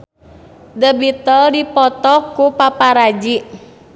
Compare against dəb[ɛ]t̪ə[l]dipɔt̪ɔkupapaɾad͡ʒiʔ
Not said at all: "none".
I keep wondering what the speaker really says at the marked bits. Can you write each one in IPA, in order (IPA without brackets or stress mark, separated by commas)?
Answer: i, l